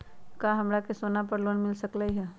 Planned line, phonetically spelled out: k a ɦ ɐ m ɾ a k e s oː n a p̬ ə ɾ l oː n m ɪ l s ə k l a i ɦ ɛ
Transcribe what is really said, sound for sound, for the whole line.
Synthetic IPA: k a ɦ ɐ m ɾ a k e s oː n a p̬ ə ɾ l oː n m ɪ l s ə k l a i ɦ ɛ